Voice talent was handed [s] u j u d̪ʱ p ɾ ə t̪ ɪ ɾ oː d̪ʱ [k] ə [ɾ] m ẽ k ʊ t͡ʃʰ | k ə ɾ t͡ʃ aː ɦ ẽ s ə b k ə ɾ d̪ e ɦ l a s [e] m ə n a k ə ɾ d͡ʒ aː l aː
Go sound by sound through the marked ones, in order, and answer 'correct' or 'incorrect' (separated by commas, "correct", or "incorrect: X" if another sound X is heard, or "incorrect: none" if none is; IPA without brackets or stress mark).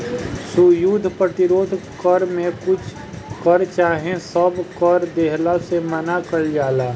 correct, correct, correct, correct